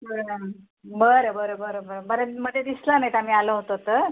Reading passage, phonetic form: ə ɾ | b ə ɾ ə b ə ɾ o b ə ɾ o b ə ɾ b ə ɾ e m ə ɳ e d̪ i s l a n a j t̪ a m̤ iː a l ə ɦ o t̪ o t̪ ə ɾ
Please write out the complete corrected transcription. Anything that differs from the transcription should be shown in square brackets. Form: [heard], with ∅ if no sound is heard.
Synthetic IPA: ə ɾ | b ə ɾ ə b ə ɾ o b ə ɾ o b ə ɾ b ə ɾ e m ə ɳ e d̪ i s l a n a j t̪ a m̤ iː a l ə ɦ o t̪ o t̪ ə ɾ